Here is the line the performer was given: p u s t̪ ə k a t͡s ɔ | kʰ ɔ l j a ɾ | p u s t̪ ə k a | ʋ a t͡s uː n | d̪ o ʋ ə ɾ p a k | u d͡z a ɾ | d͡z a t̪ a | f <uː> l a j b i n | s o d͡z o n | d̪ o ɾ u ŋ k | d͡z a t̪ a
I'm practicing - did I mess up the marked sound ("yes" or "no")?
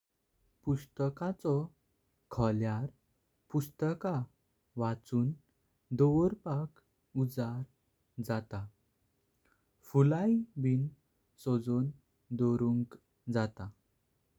yes